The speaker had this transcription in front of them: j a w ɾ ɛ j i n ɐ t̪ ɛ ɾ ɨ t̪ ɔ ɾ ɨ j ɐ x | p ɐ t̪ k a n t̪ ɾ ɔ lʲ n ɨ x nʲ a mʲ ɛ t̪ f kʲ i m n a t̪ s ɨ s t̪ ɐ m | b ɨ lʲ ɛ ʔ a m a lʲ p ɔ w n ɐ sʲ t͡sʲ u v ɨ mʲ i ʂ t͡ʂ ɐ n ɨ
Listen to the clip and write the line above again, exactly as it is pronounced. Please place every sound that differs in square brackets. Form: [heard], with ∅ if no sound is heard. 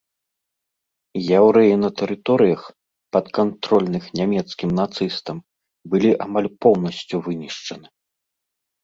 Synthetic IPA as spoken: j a w ɾ ɛ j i n ɐ t̪ ɛ ɾ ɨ t̪ ɔ ɾ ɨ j ɐ x | p ɐ t̪ k a n t̪ ɾ ɔ lʲ n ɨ x nʲ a mʲ ɛ t̪ [s] kʲ i m n a t̪ s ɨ s t̪ ɐ m | b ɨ lʲ [i] ʔ a m a lʲ p ɔ w n ɐ sʲ t͡sʲ u v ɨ [nʲ] i ʂ t͡ʂ ɐ n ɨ